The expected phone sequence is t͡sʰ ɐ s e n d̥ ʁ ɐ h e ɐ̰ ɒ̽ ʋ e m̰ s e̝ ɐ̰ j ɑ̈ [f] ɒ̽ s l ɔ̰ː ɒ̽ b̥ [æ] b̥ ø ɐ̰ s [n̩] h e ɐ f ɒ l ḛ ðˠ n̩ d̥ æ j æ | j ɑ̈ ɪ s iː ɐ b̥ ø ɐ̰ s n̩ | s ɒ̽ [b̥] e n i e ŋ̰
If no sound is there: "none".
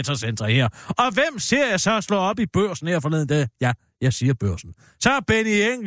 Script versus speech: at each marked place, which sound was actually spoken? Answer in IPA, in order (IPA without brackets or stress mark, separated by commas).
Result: s, i, n̩, b̥